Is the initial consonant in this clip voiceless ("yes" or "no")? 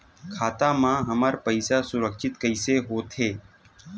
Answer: yes